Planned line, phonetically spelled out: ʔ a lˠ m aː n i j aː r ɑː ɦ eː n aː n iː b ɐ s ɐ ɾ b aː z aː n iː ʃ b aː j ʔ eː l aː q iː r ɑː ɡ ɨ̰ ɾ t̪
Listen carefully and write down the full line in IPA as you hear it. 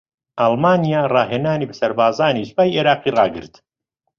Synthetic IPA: ʔ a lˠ m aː n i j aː r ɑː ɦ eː n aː n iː b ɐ s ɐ ɾ b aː z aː n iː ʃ b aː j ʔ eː ɾ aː q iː r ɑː ɡ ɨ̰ ɾ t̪

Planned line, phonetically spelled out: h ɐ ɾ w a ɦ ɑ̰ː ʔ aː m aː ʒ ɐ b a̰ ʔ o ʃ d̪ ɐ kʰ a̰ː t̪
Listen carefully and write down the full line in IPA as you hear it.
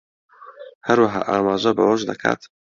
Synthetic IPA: h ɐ ɾ w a ɦ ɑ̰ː ʔ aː m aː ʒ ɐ b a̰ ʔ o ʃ d̪ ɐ kʰ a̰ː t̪

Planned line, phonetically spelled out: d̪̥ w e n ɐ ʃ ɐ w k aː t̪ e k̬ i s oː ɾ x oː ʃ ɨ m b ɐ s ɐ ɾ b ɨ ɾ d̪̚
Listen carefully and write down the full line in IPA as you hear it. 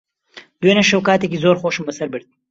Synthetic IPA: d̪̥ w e n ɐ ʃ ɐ w k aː t̪ e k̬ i z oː ɾ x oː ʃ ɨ m b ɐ s ɐ ɾ b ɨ ɾ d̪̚

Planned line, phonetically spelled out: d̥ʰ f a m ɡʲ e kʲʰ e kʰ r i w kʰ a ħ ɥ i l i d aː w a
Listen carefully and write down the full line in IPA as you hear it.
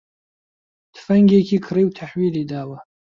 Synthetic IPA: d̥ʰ f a ŋ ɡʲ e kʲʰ i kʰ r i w tʰ a ħ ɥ i l i d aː w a

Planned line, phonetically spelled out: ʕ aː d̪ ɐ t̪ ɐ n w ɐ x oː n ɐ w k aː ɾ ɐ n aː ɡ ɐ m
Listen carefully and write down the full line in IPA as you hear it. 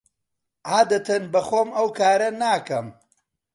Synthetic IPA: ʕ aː d̪ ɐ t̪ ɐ n b ɐ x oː m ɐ w k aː ɾ ɐ n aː k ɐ m

